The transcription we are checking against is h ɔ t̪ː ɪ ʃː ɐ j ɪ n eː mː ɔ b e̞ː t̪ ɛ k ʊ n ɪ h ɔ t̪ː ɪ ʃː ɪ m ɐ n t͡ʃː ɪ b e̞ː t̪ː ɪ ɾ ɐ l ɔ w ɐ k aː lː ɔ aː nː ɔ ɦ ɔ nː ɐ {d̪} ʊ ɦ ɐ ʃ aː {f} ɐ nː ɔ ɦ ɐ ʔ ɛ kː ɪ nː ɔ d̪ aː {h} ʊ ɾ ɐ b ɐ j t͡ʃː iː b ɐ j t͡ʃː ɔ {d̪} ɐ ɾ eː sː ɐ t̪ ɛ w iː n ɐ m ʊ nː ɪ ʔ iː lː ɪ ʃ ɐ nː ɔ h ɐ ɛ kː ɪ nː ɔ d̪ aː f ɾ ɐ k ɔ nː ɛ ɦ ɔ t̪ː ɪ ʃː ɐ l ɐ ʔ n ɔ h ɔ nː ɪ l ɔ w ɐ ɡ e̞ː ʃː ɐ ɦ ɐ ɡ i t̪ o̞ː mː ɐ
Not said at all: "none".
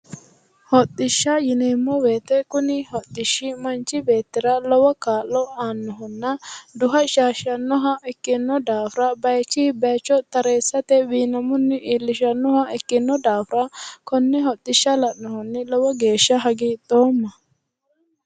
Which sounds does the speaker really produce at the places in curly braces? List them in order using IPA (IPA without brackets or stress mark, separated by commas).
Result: d̪, ʃ, f, t̪